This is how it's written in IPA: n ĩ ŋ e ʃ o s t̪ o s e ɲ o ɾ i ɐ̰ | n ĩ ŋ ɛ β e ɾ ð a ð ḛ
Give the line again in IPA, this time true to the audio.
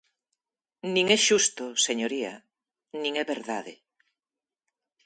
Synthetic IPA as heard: n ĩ ŋ ɛ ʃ u s t̪ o s e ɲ o ɾ i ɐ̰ | n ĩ ŋ ɛ β e ɾ ð a ð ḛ